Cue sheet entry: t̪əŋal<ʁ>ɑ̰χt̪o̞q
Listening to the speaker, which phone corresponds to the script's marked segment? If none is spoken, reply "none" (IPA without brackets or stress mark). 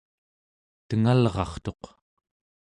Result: ʁ